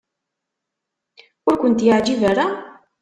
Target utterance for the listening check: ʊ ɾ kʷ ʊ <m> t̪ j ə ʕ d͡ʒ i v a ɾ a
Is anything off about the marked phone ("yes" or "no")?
yes